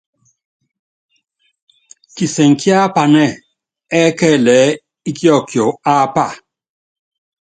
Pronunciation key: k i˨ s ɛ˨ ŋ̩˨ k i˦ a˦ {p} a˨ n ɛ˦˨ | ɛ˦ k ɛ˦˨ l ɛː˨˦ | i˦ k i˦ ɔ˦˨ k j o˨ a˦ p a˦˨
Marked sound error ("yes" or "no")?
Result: no